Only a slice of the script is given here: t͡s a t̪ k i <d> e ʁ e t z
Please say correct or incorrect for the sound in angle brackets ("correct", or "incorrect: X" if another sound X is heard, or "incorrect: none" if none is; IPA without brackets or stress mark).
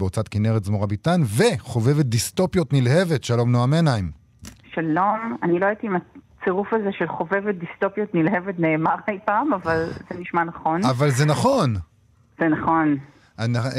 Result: incorrect: n